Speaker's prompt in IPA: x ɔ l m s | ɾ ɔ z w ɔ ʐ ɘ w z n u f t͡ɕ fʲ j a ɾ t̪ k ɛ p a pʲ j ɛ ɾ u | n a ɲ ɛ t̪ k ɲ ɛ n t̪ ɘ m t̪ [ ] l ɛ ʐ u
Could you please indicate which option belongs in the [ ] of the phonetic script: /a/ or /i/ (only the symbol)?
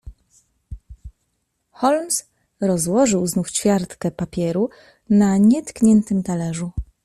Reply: a